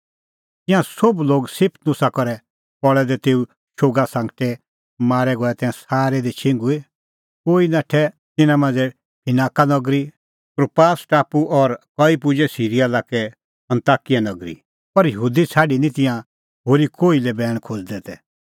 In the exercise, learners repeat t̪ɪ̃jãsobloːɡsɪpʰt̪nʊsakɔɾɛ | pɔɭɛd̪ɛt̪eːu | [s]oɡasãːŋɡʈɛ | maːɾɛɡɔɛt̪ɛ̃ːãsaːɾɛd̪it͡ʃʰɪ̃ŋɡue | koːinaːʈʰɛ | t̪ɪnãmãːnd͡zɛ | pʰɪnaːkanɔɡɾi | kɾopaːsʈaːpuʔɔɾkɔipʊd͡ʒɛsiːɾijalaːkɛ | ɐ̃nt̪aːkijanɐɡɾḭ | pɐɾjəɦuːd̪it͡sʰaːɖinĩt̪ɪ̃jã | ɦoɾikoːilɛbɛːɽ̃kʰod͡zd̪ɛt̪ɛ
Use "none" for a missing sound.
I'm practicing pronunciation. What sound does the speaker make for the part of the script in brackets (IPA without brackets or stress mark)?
ʃ